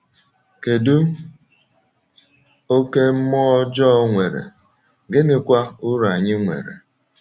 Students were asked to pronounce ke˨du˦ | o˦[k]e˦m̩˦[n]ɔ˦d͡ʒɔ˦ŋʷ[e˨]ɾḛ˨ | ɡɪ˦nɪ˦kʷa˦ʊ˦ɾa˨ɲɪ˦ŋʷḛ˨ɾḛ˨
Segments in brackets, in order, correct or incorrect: correct, incorrect: m, correct

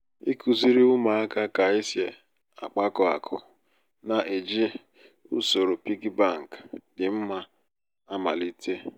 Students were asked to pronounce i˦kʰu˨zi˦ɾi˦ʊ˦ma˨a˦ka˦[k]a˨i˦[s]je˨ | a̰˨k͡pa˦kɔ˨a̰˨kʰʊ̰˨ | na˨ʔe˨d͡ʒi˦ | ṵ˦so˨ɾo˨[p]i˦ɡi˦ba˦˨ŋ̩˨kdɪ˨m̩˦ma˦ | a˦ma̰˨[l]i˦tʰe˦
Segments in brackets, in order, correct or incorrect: correct, correct, correct, correct

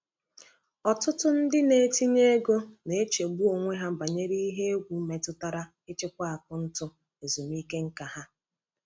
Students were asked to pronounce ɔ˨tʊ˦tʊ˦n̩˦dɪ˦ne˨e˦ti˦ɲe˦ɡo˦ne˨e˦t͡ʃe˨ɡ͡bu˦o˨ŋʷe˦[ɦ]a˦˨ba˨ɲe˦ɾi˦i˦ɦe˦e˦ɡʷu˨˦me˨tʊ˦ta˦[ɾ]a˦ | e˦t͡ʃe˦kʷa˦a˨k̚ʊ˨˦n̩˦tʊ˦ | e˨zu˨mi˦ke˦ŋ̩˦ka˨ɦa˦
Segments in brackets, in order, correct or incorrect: correct, correct

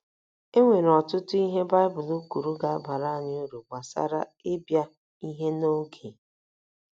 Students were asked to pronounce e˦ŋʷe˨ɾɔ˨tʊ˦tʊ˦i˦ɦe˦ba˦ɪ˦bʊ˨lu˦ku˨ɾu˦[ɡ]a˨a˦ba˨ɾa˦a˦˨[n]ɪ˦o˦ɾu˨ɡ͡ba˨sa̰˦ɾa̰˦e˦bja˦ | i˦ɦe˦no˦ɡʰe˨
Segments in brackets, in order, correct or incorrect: correct, incorrect: ɲ

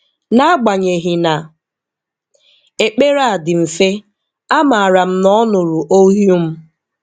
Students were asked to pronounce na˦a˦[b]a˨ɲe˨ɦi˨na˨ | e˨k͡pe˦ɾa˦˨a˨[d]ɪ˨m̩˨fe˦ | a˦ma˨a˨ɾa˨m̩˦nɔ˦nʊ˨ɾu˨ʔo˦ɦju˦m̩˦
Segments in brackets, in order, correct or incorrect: incorrect: ɡ͡b, correct

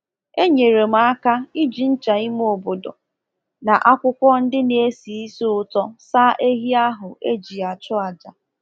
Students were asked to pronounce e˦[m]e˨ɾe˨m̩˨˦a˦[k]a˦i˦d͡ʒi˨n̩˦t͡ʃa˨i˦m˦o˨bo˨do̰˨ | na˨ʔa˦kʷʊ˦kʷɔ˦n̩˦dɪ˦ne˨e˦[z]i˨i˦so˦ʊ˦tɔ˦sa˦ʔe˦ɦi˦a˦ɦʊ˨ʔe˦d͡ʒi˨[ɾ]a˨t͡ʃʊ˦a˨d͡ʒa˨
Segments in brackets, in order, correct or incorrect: incorrect: ɲ, correct, incorrect: s, incorrect: none

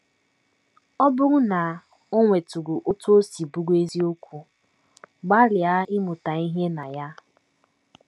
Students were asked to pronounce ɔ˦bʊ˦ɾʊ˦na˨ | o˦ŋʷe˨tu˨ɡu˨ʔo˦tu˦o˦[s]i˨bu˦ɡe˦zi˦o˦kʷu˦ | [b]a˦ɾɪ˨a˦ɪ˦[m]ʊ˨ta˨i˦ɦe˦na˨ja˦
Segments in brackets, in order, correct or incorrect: correct, incorrect: ɡ͡b, correct

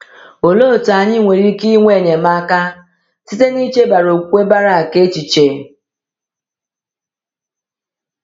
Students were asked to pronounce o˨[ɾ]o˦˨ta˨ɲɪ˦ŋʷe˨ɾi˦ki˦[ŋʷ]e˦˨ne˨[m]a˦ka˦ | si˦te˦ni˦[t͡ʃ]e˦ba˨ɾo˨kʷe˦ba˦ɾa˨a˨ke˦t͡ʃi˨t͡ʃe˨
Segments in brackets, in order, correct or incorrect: incorrect: l, correct, correct, correct

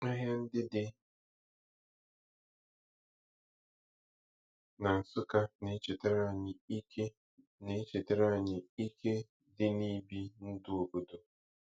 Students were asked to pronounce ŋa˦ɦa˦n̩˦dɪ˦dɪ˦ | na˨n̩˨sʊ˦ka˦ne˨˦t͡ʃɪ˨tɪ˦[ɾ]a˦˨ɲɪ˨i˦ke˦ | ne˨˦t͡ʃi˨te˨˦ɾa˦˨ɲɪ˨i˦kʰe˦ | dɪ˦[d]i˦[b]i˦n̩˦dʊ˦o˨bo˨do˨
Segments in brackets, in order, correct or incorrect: correct, incorrect: n, correct

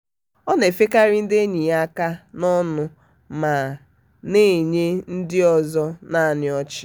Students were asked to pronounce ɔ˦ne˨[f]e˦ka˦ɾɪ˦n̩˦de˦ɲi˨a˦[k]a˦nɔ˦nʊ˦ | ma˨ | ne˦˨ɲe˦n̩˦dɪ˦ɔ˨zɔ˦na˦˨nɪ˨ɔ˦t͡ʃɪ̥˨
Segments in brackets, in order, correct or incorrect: correct, correct

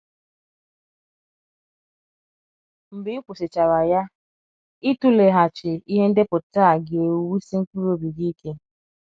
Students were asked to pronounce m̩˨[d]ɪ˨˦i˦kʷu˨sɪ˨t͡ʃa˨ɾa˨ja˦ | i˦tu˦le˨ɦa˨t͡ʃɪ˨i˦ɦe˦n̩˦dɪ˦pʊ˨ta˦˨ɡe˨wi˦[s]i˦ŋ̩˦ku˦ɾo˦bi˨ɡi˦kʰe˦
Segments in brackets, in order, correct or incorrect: incorrect: b, correct

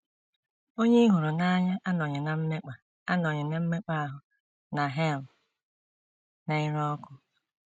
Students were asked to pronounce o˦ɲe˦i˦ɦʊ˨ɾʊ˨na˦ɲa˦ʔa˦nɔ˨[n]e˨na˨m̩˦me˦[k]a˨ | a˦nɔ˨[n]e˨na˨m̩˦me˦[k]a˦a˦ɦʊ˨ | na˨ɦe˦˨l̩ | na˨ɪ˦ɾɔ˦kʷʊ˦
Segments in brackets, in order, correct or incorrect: incorrect: ɲ, incorrect: k͡p, incorrect: ɲ, incorrect: k͡p

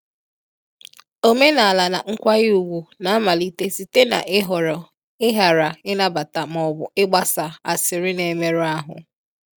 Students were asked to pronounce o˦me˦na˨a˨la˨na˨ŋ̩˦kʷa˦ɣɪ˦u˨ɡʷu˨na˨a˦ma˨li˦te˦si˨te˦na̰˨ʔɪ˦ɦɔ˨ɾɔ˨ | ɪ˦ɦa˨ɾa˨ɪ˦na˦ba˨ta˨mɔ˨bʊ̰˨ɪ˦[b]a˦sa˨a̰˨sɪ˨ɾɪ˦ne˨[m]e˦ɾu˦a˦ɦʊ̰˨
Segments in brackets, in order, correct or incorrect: incorrect: ɡ͡b, correct

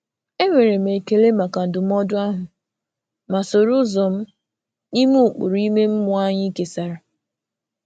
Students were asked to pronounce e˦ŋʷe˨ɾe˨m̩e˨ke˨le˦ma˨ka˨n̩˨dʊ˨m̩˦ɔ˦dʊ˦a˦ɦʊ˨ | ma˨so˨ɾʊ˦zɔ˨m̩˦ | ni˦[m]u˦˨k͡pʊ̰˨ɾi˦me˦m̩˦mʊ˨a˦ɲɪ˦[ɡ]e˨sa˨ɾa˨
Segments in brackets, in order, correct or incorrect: correct, incorrect: k

